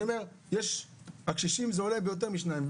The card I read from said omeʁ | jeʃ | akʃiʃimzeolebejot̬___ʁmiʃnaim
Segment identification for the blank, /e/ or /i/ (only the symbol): e